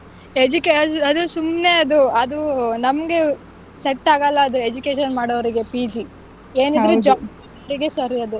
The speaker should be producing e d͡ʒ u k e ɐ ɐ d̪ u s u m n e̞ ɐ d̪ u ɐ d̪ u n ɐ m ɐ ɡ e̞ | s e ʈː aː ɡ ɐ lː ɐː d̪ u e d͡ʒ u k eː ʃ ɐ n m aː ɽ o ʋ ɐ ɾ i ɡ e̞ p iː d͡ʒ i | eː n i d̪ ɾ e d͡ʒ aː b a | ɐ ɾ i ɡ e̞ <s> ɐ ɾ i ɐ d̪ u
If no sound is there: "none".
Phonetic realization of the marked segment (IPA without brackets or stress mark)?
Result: s